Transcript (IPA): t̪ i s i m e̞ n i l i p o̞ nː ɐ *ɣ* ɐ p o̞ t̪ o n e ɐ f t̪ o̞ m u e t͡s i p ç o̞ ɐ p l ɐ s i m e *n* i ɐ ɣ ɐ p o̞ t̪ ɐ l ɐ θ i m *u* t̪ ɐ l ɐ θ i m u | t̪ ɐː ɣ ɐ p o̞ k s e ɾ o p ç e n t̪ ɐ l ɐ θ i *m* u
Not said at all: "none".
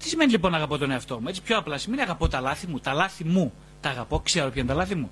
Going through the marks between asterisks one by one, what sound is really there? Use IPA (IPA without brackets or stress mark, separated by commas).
ɣ, n, u, m